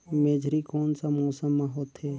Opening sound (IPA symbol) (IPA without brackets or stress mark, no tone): m